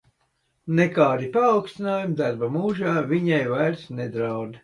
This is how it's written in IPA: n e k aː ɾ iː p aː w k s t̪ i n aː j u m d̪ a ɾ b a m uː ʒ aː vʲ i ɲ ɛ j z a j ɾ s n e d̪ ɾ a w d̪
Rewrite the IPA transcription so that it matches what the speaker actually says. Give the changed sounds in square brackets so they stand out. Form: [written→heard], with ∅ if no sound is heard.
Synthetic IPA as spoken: n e k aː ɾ [iː→i] p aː w k s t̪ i n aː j u m d̪ a ɾ b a m uː ʒ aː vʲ i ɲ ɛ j [z→v] a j ɾ s n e d̪ ɾ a w d̪

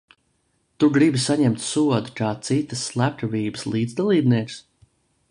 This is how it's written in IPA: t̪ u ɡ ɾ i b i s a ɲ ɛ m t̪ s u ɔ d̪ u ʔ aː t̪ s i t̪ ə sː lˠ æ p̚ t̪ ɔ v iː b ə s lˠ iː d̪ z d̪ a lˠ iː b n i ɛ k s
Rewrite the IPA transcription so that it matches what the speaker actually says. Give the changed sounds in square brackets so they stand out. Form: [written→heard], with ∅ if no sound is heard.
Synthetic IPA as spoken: t̪ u ɡ ɾ i b i s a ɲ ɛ m t̪ s u ɔ d̪ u [ʔ→k] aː t̪ s i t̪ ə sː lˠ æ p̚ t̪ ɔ v iː b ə s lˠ iː d̪ z d̪ a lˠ iː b n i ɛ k s

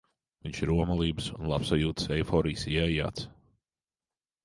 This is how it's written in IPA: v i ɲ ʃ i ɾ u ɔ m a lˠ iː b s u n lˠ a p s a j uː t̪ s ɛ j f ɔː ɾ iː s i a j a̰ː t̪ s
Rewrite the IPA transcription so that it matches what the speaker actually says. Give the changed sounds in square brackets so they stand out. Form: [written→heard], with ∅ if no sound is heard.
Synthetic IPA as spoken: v i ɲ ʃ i ɾ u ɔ m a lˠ iː b s u n lˠ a p s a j uː t̪ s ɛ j f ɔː ɾ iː s i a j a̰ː t̪ s

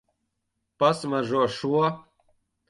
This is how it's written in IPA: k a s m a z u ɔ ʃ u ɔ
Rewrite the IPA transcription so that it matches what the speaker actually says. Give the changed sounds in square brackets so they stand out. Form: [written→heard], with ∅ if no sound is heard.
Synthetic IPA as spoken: [k→p] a s m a [z→ʒ] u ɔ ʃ u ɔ

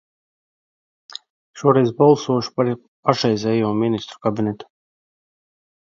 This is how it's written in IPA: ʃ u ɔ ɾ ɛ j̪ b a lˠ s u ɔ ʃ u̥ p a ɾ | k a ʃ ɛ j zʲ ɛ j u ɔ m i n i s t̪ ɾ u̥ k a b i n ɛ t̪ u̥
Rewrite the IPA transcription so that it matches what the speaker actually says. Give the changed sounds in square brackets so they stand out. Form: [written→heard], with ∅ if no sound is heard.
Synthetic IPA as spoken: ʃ u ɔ ɾ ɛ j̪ b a lˠ s u ɔ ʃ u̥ p a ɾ | [k→p] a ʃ ɛ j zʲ ɛ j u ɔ m i n i s t̪ ɾ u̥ k a b i n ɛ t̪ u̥

